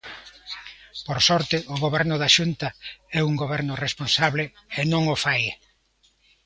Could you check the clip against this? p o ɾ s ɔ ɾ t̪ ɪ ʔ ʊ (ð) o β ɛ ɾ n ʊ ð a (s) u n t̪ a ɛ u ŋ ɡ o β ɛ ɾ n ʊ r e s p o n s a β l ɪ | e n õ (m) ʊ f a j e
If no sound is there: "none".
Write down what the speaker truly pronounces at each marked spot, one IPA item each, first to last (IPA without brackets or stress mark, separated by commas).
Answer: ɣ, ʃ, ŋ